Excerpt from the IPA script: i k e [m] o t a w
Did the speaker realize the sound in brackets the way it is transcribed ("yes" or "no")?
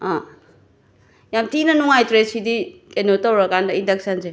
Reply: no